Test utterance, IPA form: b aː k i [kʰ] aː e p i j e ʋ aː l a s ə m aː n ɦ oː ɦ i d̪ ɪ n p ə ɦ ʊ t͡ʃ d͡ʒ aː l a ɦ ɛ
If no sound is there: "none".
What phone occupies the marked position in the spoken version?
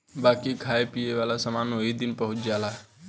kʰ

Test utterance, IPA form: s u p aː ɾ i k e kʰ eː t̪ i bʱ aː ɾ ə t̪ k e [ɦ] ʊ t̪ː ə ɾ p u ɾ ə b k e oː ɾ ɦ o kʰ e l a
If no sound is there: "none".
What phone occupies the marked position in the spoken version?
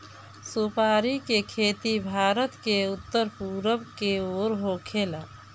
none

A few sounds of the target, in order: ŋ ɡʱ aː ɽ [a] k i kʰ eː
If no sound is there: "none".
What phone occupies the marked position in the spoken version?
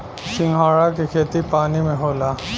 a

